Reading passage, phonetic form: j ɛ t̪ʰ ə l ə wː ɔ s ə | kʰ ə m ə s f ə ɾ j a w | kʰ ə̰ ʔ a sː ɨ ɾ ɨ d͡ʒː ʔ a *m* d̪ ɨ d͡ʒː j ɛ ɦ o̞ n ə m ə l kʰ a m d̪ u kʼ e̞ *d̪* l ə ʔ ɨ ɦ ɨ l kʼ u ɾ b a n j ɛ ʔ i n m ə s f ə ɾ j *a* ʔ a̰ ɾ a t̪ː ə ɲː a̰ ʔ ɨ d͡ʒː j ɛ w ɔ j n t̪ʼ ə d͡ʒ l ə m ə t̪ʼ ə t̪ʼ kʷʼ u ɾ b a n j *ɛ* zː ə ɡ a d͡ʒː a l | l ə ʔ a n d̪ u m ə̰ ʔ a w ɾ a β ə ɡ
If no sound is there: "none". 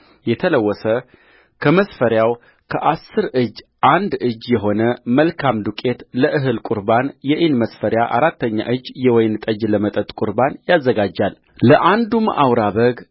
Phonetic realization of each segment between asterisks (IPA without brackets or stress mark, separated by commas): n, t̪, a, a